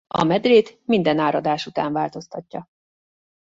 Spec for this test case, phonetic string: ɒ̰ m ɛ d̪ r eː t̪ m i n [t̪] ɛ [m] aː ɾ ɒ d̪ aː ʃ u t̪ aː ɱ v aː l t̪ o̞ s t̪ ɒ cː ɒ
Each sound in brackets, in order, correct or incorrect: incorrect: d̪, incorrect: n

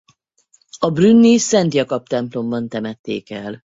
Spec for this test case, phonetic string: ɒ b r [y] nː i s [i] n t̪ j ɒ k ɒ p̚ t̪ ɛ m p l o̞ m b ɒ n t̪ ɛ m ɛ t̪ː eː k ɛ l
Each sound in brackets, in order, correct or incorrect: correct, incorrect: ɛ

